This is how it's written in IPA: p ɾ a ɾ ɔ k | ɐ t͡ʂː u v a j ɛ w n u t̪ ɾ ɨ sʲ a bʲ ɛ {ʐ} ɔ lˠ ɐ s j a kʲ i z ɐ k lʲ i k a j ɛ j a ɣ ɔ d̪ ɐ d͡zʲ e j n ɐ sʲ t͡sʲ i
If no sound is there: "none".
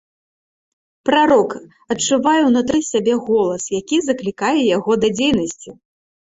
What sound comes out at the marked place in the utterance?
ɣ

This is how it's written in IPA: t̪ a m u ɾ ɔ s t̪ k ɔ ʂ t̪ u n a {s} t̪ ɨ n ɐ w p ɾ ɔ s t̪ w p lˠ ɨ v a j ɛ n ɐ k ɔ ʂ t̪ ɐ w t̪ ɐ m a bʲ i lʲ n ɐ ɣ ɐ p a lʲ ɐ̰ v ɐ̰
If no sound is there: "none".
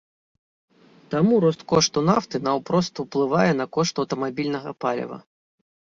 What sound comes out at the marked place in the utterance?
f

